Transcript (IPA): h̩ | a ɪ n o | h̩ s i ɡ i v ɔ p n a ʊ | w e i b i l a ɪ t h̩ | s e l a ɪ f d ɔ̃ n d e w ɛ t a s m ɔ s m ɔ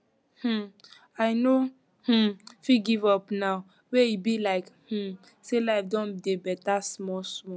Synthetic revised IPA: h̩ | a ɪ n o | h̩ f i ɡ i v ɔ p n a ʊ | w e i b i l a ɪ k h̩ | s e l a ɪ f d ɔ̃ n d e b ɛ t a s m ɔ s m ɔ

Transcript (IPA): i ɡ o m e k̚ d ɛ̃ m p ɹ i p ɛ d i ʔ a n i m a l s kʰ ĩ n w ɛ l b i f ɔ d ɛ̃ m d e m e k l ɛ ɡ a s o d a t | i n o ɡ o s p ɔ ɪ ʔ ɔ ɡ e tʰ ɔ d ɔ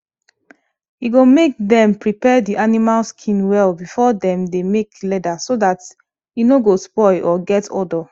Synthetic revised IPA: i ɡ o m e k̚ d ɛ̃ m p ɹ i p ɛ d i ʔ a n i m a l s kʰ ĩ n w ɛ l b i f ɔ d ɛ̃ m d e m e k l ɛ d a s o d a t | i n o ɡ o s p ɔ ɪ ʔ ɔ ɡ ɛ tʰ ɔ d ɔ

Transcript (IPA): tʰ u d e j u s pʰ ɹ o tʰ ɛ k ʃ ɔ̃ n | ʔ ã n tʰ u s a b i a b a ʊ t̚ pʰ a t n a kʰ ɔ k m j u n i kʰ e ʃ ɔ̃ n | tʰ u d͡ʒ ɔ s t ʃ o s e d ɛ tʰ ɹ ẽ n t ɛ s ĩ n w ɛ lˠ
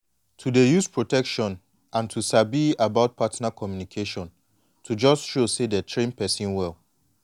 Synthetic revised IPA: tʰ u d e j u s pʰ ɹ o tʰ ɛ k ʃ ɔ̃ n | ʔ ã n tʰ u s a b i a b a ʊ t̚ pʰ a t n a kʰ ɔ m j u n i kʰ e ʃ ɔ̃ n | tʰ u d͡ʒ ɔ s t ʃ o s e d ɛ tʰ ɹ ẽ n p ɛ s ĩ n w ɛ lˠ

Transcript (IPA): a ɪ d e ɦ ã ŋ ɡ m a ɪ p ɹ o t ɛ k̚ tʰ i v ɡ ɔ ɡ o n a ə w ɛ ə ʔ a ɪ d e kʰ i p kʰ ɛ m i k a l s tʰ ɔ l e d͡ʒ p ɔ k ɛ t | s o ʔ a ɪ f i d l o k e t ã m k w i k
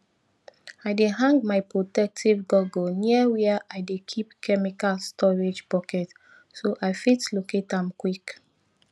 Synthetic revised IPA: a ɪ d e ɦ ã ŋ ɡ m a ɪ p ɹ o t ɛ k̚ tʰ i v ɡ ɔ ɡ o n i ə w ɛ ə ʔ a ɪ d e kʰ i p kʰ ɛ m i k a l s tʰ ɔ ɹ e d͡ʒ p ɔ k ɛ t | s o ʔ a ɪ f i t l o k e t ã m k w i k

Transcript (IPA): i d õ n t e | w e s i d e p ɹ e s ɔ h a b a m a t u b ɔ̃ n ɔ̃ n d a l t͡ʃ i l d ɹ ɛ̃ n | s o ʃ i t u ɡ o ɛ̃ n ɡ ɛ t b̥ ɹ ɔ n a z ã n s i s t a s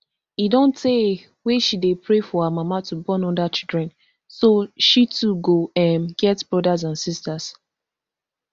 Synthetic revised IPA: i d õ n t e | w e ʃ i d e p ɹ e f ɔ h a m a m a t u b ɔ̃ n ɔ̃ n d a t͡ʃ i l d ɹ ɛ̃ n | s o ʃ i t u ɡ o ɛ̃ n ɡ ɛ t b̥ ɹ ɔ d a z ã n s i s t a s

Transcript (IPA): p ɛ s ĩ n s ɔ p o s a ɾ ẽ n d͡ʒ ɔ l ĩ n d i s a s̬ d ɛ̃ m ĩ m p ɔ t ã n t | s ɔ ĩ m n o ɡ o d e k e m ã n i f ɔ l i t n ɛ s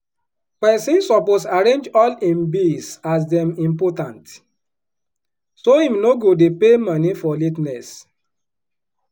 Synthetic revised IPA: p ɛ s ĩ n s ɔ p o s a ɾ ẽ n d͡ʒ ɔ l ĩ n b i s a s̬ d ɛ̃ m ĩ m p ɔ t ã n t | s o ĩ m n o ɡ o d e p e m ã n i f ɔ l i t n ɛ s

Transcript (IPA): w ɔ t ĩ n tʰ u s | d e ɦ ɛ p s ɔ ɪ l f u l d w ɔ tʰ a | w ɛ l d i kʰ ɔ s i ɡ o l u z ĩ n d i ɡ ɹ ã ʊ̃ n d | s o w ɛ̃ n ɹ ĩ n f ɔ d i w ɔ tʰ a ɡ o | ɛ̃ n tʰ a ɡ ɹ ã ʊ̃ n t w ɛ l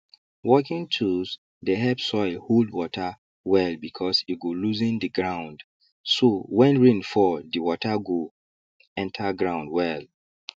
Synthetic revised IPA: w ɔ k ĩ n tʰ u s | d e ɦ ɛ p s ɔ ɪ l h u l d w ɔ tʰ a | w ɛ l b i kʰ ɔ s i ɡ o l u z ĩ n d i ɡ ɹ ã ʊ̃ n d | s o w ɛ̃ n ɹ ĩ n f ɔ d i w ɔ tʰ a ɡ o | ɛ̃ n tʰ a ɡ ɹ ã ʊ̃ n d w ɛ l

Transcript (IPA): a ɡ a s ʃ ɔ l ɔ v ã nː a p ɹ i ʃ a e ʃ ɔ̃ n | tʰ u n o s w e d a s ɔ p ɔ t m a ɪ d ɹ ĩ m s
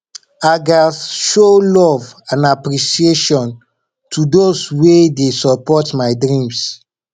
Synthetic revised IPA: a ɡ a s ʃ o l ɔ v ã n a p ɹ i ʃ i e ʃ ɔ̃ n | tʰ u d o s w e d e s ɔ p ɔ t m a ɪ d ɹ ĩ m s

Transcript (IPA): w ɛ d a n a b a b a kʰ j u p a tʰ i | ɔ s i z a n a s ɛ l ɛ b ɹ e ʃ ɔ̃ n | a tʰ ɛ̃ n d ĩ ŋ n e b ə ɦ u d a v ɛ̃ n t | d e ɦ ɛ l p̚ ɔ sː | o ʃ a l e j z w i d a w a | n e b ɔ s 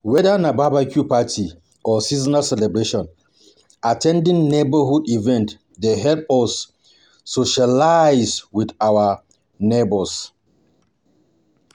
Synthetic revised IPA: w ɛ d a n a b a b a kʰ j u p a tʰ i | ɔ s i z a n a s ɛ l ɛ b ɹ e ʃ ɔ̃ n | a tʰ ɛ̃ n d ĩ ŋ n e b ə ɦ u d i v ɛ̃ n t | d e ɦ ɛ l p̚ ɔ sː | o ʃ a l a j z w i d a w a | n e b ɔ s

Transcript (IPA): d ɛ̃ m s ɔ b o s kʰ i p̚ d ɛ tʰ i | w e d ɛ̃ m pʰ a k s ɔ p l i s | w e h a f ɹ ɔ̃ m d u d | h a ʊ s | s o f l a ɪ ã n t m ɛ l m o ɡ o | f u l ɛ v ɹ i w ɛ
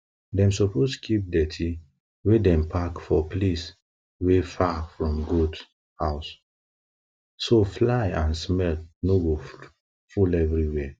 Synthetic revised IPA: d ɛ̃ m s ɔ p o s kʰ i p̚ d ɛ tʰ i | w e d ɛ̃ m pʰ a k f ɔ p l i s | w e f a f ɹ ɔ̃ m ɡ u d | h a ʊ s | s o f l a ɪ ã n s m ɛ l n o ɡ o | f u l ɛ v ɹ i w ɛ

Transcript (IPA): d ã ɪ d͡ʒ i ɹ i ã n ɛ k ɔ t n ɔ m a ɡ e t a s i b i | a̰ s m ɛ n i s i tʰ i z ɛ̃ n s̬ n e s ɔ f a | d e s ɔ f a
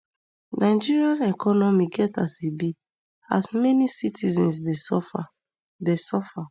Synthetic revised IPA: n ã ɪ d͡ʒ i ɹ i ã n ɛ k ɔ n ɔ m i ɡ ɛ t a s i b i | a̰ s m ɛ n i s i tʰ i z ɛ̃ n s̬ d e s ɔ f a | d e s ɔ f a

